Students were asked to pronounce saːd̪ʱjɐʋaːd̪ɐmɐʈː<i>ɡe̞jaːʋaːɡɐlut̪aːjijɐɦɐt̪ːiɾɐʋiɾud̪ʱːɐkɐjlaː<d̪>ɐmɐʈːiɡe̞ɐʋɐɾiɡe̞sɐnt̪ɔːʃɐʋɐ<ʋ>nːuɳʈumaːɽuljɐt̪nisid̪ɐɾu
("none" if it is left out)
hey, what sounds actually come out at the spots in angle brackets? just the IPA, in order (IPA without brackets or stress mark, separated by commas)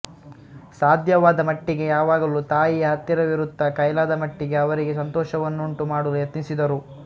i, d̪, none